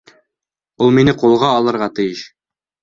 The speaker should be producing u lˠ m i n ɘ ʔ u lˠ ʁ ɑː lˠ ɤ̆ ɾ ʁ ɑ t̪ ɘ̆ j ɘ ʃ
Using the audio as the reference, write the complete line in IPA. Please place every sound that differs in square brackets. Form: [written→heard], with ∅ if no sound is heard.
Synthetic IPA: u lˠ m i n ɘ [ʔ→q] u lˠ ʁ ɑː lˠ ɤ̆ ɾ ʁ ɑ t̪ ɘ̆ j ɘ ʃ